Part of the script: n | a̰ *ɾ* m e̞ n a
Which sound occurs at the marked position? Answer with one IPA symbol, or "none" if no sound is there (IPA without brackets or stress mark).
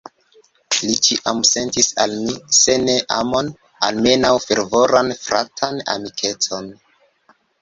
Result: l